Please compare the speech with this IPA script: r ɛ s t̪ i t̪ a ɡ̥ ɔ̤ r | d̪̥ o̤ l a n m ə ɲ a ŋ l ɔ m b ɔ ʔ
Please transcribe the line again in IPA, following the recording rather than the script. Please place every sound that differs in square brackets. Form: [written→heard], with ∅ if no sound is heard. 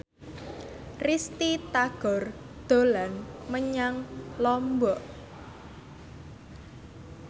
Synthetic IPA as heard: r [ɛ→i] s t̪ i t̪ a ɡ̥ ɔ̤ r | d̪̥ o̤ l a n m ə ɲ a ŋ l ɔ m b ɔ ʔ